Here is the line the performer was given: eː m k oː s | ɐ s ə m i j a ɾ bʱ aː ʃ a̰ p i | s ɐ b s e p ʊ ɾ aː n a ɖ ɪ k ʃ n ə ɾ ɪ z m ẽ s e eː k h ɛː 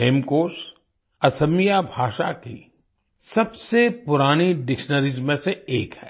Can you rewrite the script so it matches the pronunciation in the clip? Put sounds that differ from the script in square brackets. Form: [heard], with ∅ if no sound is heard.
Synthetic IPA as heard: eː m k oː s | ɐ s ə m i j a [∅] bʱ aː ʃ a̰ [k] i | s ɐ b s e p ʊ ɾ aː n [i] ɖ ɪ k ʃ n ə ɾ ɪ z m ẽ s e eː k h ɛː